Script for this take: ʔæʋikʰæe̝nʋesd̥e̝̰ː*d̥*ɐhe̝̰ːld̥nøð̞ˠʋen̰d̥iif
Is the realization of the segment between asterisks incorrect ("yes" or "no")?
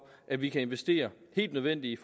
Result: yes